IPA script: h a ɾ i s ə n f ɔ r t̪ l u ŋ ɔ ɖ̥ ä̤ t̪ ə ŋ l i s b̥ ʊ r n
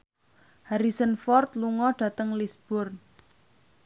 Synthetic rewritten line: h a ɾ i s ə n f ɔ r t̪ l u ŋ ɔ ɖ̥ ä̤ t̪ ə ŋ l i s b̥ ʊ r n